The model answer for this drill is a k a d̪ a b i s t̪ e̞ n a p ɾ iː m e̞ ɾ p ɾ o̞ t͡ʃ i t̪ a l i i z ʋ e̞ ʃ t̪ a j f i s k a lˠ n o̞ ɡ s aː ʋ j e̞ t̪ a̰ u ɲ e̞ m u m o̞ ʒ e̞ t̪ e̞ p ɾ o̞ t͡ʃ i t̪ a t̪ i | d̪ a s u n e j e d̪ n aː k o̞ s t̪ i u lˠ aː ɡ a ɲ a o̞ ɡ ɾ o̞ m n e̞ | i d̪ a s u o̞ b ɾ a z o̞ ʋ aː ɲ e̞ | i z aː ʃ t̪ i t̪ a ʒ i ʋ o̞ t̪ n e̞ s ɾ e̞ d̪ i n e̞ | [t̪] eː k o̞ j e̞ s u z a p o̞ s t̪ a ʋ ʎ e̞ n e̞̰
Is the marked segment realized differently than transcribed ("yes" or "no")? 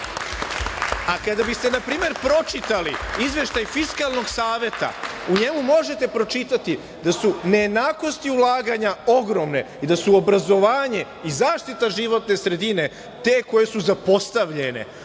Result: no